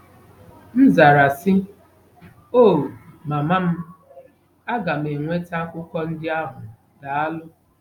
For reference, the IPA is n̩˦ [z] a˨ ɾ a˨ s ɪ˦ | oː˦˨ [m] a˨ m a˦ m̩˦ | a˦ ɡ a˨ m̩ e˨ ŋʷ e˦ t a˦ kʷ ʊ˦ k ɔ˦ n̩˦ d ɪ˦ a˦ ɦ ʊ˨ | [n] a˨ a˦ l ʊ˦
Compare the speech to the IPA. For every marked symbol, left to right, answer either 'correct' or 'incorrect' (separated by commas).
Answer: correct, correct, incorrect